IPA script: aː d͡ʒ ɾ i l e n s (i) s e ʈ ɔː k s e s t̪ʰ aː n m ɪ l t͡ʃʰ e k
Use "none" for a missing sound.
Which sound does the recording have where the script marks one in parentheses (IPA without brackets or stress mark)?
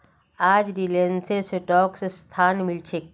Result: e